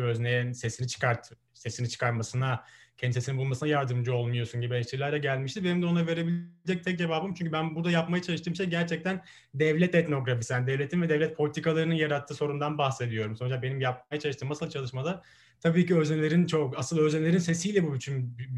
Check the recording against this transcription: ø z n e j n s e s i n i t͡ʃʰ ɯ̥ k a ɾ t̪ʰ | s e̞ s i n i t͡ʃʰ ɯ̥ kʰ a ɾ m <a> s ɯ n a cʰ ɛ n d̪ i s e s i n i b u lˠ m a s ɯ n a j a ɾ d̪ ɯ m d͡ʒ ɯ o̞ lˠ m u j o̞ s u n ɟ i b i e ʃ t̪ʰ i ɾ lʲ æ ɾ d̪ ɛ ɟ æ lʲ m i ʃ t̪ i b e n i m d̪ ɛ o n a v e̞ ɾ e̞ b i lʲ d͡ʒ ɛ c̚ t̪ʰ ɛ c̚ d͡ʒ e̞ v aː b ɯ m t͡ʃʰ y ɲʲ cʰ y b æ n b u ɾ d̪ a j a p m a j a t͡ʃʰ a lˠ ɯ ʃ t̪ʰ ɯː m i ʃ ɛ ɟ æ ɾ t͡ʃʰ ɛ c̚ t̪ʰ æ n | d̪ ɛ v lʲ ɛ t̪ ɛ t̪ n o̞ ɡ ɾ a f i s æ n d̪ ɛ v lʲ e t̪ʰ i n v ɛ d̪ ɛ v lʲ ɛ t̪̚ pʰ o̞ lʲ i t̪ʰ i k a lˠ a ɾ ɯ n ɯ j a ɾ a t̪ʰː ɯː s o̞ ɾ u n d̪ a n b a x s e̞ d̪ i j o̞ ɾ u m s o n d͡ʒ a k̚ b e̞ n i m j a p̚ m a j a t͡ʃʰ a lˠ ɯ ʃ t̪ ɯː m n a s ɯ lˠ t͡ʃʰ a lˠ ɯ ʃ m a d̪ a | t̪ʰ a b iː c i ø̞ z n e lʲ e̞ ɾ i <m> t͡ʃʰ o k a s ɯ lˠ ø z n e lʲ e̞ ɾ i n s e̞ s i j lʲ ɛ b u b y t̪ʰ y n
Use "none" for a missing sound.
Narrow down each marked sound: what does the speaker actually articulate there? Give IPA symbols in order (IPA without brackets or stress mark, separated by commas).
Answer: a, n